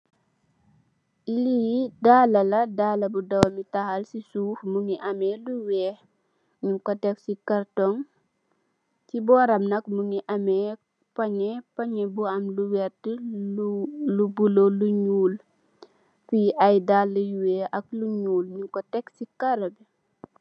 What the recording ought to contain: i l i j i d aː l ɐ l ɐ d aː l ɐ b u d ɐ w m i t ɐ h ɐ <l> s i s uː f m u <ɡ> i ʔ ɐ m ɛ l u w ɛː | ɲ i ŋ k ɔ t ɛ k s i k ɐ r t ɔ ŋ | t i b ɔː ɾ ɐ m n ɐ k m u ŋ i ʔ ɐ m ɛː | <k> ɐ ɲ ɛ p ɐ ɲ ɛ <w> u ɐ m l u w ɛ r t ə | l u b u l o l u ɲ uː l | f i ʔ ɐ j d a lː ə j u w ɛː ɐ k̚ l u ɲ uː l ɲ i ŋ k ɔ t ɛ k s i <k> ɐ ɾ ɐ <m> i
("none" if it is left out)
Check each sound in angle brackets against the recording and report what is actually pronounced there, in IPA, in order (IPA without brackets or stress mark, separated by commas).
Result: l, ŋ, p, b, k, b